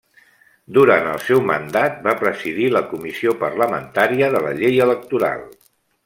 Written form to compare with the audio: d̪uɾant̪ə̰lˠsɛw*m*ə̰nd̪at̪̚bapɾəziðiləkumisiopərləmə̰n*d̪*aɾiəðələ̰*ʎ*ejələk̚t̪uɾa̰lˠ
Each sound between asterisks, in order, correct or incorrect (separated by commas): correct, incorrect, correct